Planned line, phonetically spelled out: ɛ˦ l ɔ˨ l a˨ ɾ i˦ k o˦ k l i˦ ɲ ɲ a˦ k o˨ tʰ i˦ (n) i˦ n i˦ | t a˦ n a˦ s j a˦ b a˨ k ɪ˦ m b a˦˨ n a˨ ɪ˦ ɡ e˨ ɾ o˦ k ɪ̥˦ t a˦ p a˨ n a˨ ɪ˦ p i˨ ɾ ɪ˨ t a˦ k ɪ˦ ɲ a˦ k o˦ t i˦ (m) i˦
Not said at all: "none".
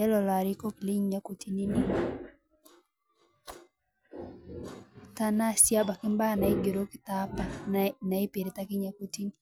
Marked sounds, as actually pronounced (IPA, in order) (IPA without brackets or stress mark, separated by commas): n, n